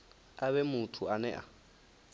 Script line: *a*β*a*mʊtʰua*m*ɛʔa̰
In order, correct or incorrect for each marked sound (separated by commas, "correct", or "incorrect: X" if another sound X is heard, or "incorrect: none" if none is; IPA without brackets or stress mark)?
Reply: correct, incorrect: ɛ, incorrect: n